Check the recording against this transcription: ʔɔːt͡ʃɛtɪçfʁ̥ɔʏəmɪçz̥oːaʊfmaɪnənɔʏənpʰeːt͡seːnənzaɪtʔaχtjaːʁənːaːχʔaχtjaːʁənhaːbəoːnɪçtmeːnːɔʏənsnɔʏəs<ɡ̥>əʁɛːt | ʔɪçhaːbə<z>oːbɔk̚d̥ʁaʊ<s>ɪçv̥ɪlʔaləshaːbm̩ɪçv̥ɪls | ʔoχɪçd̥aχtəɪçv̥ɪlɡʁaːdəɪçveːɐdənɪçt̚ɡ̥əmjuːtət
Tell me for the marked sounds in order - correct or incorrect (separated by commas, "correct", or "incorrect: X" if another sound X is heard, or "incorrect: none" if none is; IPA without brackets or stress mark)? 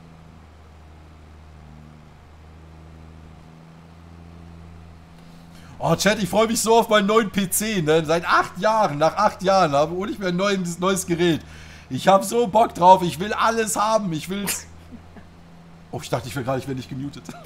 correct, correct, incorrect: f